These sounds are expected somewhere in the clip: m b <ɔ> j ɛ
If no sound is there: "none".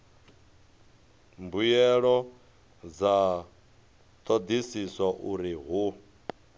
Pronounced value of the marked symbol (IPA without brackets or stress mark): u